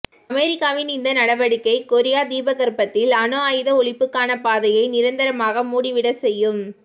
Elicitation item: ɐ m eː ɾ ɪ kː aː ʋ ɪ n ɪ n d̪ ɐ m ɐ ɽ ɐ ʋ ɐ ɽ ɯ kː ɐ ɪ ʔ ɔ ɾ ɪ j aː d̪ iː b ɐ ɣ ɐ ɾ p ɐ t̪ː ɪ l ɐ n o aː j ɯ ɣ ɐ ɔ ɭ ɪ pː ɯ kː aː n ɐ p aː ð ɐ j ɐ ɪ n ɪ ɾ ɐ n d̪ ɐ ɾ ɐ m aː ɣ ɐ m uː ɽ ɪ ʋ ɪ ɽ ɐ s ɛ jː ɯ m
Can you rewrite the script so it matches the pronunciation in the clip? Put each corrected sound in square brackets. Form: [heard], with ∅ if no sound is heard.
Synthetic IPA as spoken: ɐ m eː ɾ ɪ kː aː ʋ ɪ n ɪ n d̪ ɐ [n] ɐ ɽ ɐ ʋ ɐ ɽ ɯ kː ɐ ɪ [k] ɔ ɾ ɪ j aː d̪ iː b ɐ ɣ ɐ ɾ p ɐ t̪ː ɪ l ɐ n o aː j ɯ [ð] ɐ ɔ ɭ ɪ pː ɯ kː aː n ɐ p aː ð ɐ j ɐ ɪ n ɪ ɾ ɐ n d̪ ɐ ɾ ɐ m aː ɣ ɐ m uː ɽ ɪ ʋ ɪ ɽ ɐ s ɛ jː ɯ m